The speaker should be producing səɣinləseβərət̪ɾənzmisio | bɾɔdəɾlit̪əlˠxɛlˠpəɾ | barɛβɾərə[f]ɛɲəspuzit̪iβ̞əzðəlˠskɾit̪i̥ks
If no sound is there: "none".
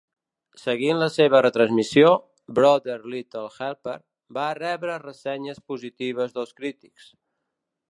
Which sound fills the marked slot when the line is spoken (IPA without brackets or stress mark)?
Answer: s